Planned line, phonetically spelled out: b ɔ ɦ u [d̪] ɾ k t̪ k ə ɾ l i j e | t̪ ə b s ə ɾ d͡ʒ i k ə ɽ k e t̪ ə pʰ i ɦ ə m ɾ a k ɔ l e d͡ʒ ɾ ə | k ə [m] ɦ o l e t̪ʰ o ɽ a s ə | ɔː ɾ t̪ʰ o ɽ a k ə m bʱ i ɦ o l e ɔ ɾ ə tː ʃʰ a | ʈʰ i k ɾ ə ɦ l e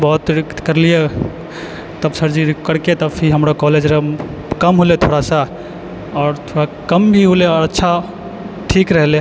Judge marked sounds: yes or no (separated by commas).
no, yes